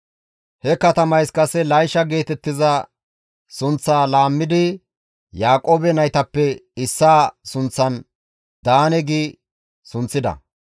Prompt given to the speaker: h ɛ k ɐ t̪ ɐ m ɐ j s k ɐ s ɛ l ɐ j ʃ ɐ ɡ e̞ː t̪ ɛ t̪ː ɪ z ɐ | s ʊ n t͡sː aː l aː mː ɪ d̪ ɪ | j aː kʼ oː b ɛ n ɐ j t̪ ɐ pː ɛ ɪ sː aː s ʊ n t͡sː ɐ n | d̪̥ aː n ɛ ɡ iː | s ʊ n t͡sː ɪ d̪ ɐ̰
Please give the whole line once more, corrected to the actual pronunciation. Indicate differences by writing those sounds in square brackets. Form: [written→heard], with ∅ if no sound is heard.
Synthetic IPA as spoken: h ɛ k ɐ t̪ ɐ m ɐ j s k ɐ s ɛ l ɐ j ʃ ɐ ɡ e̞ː t̪ ɛ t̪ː ɪ z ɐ | s ʊ n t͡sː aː l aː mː ɪ d̪ ɪ | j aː kʼ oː b ɛ n ɐ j t̪ ɐ pː ɛ ɪ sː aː s ʊ n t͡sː ɐ n | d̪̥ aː n ɛ ɡ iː | s ʊ n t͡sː ɪ d̪ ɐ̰